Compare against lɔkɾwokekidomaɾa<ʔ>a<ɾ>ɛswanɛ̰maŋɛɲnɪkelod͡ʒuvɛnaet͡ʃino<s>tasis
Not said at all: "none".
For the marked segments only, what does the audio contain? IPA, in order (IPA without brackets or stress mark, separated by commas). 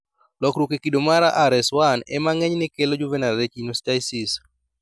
ʔ, ɾ, s